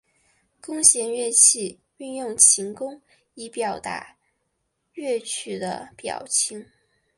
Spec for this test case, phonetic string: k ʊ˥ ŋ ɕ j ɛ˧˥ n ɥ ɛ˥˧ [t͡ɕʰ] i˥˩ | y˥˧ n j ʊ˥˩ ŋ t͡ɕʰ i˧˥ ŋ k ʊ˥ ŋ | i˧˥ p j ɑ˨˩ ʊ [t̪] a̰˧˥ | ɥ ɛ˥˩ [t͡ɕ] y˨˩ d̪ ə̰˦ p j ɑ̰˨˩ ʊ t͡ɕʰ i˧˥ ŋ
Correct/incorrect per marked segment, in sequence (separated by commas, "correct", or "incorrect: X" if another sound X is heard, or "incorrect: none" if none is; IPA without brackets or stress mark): correct, correct, incorrect: t͡ɕʰ